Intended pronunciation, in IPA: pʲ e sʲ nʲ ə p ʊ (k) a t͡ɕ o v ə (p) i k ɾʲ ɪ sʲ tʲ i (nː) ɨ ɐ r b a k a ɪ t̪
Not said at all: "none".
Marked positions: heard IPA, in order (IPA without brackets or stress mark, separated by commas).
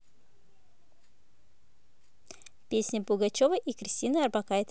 ɡ, ʔ, n